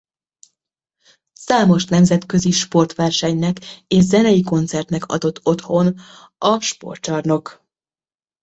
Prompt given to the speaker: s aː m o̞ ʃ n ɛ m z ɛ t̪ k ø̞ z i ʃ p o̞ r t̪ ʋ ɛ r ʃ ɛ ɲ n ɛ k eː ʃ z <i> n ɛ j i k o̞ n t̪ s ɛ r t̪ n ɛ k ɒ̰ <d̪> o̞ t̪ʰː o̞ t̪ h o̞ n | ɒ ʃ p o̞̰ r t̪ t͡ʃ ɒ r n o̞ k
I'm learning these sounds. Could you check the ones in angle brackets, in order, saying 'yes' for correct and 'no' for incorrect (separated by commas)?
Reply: no, yes